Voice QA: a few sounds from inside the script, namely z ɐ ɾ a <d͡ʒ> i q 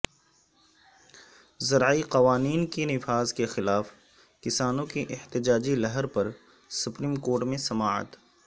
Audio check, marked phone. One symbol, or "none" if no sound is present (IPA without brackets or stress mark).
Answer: none